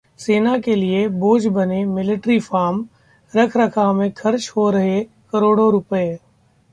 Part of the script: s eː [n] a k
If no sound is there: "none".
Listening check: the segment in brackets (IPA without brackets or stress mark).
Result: n